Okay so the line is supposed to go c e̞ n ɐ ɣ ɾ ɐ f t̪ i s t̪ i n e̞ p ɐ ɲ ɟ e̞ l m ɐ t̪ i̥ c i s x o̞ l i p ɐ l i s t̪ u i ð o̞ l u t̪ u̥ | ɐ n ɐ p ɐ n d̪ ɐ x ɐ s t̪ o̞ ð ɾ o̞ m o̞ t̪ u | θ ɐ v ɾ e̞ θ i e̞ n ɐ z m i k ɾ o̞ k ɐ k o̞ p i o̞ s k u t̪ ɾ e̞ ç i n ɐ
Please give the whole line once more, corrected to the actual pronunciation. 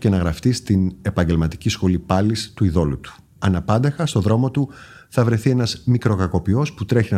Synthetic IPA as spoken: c e̞ n ɐ ɣ ɾ ɐ f t̪ i s t̪ i n e̞ p ɐ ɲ ɟ e̞ l m ɐ t̪ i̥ c i s x o̞ l i p ɐ l i s t̪ u i ð o̞ l u t̪ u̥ | ɐ n ɐ p ɐ n d̪ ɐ x ɐ s t̪ o̞ ð ɾ o̞ m o̞ t̪ u | θ ɐ v ɾ e̞ θ i e̞ n ɐ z m i k ɾ o̞ k ɐ k o̞ p i o̞ s p u t̪ ɾ e̞ ç i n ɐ